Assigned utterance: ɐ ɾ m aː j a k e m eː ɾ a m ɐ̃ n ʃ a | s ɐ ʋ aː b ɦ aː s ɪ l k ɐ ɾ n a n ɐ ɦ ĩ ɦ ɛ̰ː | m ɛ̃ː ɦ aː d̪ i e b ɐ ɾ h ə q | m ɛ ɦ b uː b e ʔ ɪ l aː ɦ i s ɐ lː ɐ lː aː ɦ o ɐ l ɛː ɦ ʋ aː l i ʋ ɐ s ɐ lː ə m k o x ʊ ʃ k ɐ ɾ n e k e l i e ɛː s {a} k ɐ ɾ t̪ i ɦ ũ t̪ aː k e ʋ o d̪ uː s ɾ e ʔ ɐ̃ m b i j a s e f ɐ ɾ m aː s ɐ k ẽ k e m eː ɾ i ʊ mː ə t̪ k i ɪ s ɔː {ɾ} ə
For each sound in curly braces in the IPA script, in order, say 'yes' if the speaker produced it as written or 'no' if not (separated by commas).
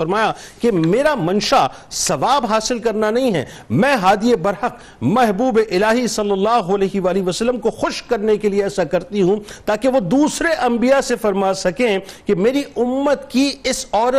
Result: yes, yes